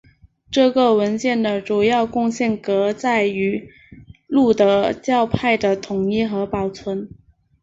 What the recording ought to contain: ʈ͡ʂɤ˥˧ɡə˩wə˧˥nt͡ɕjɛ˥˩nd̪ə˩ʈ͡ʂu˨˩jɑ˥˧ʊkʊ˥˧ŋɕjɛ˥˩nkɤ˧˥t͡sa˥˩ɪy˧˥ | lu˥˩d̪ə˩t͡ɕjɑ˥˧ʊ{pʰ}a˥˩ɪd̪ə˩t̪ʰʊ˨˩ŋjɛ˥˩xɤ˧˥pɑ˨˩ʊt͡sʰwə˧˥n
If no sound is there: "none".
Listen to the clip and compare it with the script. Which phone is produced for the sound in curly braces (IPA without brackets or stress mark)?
pʰ